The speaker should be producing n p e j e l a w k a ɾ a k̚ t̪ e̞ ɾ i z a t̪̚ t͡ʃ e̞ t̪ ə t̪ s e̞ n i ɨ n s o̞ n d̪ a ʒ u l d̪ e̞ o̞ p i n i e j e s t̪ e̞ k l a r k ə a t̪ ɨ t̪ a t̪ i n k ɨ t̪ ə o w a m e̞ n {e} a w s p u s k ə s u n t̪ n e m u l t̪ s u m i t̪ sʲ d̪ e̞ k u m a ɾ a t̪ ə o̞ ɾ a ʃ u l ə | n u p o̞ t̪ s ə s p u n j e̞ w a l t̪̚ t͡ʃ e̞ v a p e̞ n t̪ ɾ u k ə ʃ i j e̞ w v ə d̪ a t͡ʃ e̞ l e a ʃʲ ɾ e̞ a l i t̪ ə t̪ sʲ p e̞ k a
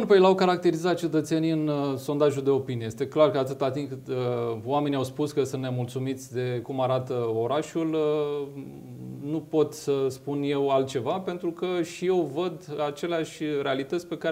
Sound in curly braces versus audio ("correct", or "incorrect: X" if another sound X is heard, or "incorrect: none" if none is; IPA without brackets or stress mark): incorrect: i